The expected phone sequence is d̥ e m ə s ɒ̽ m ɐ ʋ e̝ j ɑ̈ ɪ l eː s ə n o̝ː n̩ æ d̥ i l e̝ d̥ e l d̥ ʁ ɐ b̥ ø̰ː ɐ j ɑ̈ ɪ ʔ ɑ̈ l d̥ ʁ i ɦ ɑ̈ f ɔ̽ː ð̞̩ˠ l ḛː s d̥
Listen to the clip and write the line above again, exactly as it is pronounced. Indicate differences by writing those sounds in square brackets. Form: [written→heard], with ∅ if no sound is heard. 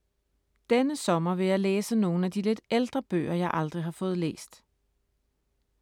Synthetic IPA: d̥ e [m→n] ə s ɒ̽ m ɐ ʋ e̝ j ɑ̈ ɪ l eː s ə n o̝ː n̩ æ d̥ i l e̝ d̥ e l d̥ ʁ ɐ b̥ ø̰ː ɐ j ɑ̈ ɪ ʔ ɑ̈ l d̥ ʁ i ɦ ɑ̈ f ɔ̽ː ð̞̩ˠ l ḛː s d̥